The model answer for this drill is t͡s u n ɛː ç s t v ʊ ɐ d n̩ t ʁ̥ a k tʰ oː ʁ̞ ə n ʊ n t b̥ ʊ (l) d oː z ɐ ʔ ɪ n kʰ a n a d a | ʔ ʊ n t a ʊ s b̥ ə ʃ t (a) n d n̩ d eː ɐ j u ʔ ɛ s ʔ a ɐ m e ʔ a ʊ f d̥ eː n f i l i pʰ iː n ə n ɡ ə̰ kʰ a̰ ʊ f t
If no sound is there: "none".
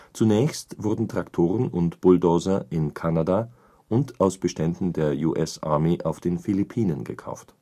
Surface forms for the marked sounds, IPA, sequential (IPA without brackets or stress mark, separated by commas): l, ɛ